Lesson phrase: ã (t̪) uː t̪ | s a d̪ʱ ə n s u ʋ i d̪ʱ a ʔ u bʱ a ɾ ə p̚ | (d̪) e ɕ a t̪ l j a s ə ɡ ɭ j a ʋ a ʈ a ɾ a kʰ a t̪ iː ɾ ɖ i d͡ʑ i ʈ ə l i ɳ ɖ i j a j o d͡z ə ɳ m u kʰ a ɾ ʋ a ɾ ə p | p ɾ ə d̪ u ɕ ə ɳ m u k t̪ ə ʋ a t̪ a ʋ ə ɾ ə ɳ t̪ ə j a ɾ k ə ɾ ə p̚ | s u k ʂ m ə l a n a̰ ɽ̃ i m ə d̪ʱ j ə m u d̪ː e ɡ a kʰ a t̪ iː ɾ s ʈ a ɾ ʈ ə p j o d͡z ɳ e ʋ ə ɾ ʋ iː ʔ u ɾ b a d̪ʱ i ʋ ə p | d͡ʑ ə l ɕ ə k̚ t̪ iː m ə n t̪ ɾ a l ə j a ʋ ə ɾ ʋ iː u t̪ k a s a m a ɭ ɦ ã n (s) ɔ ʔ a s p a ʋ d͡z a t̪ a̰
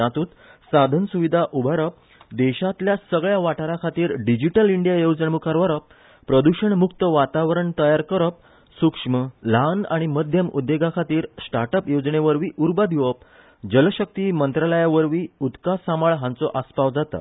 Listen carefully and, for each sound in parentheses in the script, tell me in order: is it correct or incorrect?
correct, correct, incorrect: t͡s

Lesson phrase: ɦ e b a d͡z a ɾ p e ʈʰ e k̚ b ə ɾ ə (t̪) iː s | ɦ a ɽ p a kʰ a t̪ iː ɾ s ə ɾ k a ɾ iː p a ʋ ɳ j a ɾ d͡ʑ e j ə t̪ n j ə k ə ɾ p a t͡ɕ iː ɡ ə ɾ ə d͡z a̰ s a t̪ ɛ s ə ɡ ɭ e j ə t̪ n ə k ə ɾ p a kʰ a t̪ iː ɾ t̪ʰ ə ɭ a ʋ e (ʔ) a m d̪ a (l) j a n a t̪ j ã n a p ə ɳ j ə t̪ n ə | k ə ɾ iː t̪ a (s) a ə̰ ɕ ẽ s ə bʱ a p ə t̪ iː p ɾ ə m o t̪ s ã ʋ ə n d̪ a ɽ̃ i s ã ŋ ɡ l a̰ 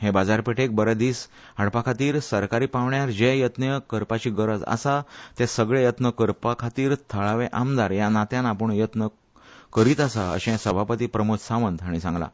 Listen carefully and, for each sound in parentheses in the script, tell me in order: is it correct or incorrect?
incorrect: d̪, correct, incorrect: ɾ, correct

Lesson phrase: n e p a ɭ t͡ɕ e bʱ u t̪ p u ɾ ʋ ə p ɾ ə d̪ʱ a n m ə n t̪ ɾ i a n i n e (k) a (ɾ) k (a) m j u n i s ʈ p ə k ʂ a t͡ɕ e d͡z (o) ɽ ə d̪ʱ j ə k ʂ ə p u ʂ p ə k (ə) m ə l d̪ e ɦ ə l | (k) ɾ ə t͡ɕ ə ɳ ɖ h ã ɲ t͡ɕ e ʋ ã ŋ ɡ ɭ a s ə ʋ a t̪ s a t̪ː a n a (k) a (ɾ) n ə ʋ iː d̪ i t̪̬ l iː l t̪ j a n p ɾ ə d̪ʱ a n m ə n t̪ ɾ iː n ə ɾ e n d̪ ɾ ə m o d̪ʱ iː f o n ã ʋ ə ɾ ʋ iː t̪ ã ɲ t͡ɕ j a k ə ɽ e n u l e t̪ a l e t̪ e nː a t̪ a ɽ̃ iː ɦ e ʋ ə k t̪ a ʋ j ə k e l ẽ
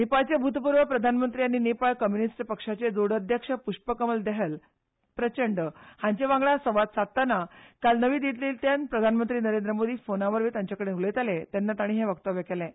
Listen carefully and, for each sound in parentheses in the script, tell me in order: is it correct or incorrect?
incorrect: p, incorrect: ɭ, incorrect: ə, correct, correct, incorrect: p, correct, incorrect: l

